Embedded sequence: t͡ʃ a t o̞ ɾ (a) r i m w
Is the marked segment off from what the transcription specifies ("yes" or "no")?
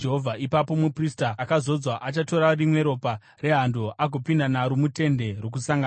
no